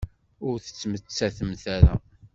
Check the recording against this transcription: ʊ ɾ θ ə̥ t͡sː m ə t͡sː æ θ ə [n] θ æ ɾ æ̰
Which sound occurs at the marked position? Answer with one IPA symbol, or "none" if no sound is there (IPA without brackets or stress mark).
m